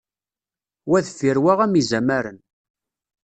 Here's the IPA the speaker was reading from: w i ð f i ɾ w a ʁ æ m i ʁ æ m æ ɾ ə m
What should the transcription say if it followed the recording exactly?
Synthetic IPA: w æ ð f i ɾ w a ʁ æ m i z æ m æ ɾ ə n

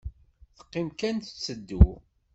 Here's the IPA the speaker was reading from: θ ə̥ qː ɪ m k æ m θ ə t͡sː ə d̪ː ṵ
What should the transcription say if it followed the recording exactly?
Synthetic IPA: θ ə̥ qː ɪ m k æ n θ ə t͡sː ə d̪ː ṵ

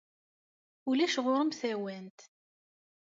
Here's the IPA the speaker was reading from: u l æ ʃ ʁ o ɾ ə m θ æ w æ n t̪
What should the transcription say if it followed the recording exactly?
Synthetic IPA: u l æ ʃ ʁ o ɾ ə m θ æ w æ n t̪

